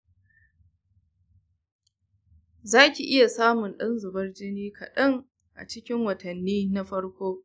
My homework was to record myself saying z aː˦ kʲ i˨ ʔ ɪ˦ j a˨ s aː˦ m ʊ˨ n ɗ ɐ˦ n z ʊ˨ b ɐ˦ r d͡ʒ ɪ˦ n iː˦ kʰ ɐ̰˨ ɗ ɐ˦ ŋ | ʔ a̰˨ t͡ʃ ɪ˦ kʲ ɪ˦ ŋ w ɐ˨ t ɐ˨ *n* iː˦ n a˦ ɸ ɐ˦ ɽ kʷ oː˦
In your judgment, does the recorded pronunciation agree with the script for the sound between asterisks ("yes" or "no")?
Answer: no